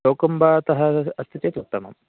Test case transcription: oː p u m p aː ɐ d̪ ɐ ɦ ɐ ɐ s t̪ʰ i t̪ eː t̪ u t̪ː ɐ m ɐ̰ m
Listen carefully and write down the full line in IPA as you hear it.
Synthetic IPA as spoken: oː k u m b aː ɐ t̪ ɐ ɦ ɐ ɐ s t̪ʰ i t̪ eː t̪ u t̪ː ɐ m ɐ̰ m